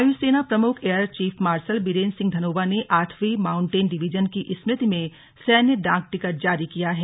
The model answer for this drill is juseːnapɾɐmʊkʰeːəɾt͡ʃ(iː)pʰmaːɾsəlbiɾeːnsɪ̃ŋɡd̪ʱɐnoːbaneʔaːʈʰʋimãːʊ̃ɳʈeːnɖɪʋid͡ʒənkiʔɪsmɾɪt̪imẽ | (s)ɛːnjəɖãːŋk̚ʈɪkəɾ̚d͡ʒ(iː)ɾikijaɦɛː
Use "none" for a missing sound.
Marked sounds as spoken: iː, s, aː

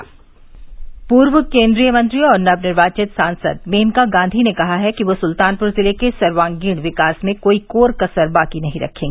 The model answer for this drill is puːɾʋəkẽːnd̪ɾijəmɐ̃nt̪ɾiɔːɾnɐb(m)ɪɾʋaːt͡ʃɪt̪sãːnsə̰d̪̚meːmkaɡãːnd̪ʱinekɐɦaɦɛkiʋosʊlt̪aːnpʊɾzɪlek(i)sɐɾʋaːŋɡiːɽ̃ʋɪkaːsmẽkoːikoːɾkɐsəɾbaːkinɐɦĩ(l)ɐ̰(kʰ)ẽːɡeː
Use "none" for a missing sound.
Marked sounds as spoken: n, e, ɾ, kʰ

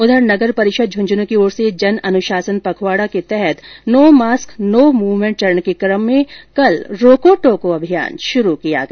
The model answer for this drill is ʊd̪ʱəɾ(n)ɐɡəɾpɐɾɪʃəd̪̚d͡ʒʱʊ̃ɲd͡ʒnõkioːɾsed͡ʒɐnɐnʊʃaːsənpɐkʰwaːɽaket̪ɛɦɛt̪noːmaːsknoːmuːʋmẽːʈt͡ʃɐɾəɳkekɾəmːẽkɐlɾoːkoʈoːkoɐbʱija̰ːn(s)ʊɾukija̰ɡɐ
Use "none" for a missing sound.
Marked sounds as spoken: n, ʃ

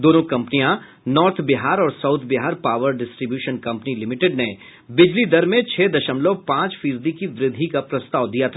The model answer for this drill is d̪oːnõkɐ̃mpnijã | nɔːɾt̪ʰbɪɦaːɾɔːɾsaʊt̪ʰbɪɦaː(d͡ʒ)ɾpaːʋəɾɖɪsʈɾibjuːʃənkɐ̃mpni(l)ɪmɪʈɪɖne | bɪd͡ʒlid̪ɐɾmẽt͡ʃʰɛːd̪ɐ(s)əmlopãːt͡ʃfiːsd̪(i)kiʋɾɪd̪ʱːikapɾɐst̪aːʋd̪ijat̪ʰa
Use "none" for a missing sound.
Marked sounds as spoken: none, l, ʃ, i

